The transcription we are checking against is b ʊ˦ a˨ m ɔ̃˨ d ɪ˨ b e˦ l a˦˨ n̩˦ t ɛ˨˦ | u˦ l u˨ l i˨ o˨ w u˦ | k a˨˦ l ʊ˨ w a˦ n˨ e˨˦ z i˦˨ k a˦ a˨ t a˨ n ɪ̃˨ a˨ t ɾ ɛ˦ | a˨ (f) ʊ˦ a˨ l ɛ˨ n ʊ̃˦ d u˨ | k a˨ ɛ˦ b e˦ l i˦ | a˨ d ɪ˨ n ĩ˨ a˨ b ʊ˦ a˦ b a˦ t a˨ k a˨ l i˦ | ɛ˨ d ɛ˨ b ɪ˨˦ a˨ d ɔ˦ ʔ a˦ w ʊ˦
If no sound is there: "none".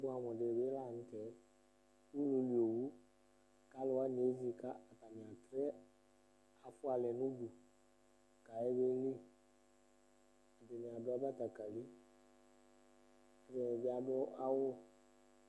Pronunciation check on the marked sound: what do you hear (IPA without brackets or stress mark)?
f